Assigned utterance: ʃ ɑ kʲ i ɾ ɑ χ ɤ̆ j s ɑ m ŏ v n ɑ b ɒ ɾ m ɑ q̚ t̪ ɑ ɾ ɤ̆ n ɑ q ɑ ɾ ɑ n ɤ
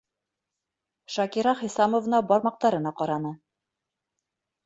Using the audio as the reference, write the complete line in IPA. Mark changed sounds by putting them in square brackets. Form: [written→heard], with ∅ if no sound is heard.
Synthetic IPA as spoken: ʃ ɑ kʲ i ɾ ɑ χ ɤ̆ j s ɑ m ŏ v n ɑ b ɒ ɾ m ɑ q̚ t̪ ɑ ɾ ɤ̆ n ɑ q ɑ ɾ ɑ n ɤ